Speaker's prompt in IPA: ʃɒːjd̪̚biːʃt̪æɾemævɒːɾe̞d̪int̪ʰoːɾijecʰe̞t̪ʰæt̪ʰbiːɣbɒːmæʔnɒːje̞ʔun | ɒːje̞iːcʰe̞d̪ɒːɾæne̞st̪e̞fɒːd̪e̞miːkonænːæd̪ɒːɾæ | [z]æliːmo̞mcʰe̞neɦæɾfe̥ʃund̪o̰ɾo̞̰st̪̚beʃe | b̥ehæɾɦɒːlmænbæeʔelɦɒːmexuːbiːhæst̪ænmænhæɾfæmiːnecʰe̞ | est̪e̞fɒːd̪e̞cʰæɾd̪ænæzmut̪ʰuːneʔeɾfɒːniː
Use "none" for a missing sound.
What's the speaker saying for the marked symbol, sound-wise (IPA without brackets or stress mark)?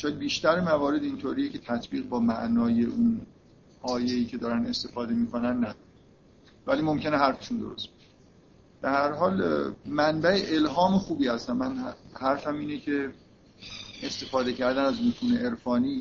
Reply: v